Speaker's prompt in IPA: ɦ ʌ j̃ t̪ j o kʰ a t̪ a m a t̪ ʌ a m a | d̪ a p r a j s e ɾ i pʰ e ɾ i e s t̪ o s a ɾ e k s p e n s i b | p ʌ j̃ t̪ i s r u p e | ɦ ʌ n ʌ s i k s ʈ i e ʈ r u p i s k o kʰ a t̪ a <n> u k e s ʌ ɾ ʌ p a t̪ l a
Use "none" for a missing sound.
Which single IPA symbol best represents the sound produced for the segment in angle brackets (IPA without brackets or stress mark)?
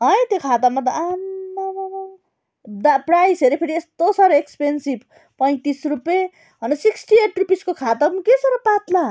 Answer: m